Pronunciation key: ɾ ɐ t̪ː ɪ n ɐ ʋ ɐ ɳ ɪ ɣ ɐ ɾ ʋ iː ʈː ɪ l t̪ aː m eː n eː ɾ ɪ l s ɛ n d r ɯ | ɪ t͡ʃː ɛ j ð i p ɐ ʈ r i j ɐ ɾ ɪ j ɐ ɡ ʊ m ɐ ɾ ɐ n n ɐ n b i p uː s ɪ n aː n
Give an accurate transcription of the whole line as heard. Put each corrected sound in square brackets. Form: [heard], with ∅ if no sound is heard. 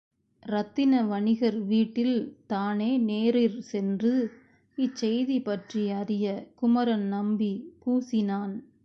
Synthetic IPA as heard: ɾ ɐ t̪ː ɪ n ɐ ʋ ɐ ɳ ɪ ɣ ɐ ɾ ʋ iː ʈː ɪ l t̪ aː [n] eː n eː ɾ ɪ [ɾ] s ɛ n d r ɯ | ɪ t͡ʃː ɛ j ð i p ɐ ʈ r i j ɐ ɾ ɪ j ɐ [k] ʊ m ɐ ɾ ɐ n n ɐ [m] b i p uː s ɪ n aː n